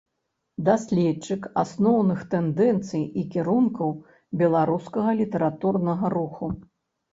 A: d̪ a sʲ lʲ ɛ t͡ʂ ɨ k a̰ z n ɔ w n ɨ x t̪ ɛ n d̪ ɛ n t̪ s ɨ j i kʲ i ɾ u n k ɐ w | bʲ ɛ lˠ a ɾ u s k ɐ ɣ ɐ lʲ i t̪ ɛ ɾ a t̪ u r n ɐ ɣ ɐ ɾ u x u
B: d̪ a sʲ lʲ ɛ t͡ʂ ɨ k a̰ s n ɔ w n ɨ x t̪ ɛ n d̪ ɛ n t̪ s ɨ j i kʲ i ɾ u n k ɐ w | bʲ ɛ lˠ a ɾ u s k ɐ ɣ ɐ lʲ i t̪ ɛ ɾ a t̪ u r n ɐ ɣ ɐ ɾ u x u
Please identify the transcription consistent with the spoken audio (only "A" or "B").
B